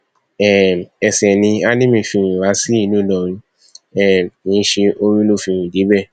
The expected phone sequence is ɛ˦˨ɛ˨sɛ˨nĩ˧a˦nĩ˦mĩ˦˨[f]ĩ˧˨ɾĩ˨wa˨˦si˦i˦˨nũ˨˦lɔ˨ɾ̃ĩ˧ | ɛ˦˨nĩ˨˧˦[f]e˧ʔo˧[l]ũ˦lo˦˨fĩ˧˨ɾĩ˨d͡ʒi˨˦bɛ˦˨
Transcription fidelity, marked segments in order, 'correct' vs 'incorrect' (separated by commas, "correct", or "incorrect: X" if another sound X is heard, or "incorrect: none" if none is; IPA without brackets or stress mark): correct, incorrect: ʃ, incorrect: ɾ